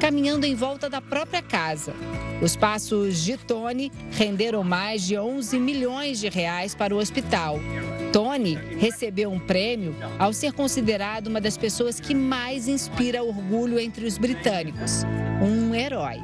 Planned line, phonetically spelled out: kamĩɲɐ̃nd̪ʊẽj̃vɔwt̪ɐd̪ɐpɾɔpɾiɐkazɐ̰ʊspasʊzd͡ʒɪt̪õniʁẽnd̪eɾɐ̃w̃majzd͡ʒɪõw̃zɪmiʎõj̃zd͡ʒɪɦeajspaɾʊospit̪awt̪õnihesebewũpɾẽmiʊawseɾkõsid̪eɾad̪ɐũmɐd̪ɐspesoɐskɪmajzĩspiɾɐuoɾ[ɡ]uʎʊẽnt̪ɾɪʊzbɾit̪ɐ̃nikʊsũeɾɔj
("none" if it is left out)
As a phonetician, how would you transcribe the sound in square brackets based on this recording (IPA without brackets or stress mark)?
ɡ